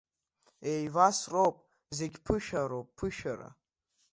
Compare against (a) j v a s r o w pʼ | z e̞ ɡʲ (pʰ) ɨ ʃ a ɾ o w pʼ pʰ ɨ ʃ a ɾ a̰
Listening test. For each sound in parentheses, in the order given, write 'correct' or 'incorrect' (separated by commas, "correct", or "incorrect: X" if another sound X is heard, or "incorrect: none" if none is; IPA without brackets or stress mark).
incorrect: e, correct